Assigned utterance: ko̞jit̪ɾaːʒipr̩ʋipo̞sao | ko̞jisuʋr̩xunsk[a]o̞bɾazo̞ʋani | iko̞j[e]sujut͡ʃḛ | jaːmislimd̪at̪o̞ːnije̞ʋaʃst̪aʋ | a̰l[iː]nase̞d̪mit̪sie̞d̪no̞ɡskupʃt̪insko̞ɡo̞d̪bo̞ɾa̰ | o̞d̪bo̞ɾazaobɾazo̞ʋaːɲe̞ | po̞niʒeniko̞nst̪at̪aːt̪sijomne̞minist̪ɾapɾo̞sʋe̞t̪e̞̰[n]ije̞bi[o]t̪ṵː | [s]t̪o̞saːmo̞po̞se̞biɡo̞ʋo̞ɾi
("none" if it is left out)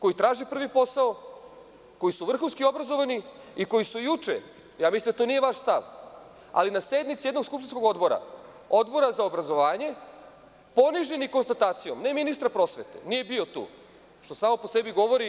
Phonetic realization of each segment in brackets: i, i, i, n, o, ʃ

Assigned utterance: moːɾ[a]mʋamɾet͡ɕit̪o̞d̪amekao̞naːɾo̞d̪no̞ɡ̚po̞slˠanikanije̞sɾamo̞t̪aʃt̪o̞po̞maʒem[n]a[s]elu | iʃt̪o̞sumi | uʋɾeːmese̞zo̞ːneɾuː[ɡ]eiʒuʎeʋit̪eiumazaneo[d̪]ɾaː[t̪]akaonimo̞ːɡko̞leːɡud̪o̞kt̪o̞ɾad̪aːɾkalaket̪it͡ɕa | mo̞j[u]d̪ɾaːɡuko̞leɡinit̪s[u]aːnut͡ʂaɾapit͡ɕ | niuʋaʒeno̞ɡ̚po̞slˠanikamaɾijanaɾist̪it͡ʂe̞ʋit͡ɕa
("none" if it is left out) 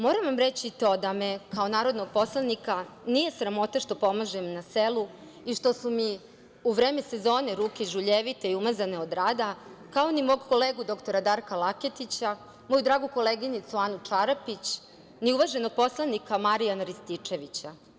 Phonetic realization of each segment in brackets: a, n, s, k, d̪, d̪, u, u

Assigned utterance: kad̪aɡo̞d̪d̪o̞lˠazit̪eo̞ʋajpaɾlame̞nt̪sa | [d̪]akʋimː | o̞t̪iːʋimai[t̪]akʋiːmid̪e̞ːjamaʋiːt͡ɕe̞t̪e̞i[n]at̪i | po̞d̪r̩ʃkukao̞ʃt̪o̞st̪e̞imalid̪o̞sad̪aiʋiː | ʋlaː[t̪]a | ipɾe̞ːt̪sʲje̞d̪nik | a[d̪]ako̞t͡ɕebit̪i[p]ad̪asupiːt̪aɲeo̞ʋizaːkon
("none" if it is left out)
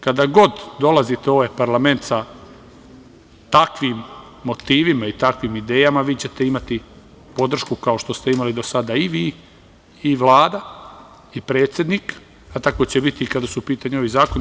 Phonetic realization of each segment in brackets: t̪, t̪, m, d̪, t̪, k

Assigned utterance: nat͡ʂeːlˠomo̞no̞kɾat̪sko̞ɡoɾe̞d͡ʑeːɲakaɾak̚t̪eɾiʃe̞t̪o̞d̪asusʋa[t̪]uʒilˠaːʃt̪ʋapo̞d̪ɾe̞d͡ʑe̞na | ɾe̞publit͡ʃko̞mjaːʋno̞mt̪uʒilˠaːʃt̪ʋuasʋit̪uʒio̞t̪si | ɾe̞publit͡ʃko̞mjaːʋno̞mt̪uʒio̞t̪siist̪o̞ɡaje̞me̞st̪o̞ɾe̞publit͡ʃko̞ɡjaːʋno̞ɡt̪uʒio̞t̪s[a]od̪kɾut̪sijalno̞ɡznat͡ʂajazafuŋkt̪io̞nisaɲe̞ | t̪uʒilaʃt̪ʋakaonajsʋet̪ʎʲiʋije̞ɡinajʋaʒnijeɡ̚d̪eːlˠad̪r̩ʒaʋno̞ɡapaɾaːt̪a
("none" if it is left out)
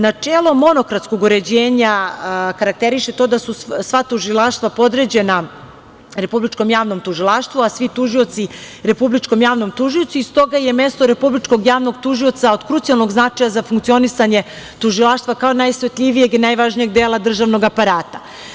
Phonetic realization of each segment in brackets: t̪, a

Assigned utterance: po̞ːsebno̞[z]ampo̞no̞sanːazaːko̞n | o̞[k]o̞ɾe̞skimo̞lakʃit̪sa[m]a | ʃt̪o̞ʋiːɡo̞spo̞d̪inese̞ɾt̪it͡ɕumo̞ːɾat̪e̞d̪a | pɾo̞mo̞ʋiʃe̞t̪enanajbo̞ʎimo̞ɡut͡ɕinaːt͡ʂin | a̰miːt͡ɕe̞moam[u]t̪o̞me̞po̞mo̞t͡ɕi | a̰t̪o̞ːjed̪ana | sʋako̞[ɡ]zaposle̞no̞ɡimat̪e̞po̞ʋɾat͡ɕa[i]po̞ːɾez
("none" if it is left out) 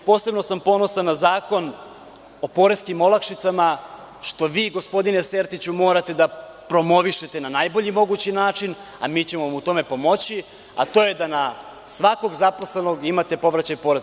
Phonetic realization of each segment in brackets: s, p, m, u, ɡ, j

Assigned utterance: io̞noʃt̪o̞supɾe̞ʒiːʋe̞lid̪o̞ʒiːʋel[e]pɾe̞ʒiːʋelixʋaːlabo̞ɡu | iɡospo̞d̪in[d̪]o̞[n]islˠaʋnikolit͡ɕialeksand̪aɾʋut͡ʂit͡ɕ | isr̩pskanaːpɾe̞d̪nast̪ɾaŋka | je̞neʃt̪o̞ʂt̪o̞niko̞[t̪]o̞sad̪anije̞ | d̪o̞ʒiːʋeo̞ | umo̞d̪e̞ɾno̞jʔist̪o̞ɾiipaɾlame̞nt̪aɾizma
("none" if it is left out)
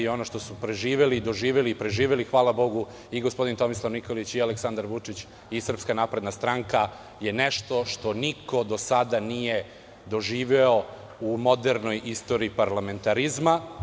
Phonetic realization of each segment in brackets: i, t̪, m, d̪

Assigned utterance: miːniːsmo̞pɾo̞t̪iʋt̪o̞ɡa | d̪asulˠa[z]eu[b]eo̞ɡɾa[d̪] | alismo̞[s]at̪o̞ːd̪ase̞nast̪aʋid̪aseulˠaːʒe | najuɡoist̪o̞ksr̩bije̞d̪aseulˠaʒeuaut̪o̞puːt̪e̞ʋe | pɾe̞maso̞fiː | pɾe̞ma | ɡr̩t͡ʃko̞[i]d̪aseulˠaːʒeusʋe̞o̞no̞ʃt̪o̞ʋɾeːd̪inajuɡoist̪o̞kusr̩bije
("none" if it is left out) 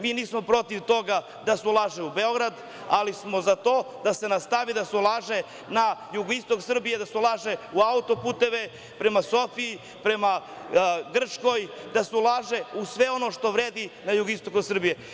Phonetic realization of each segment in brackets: ʒ, b, d̪, z, j

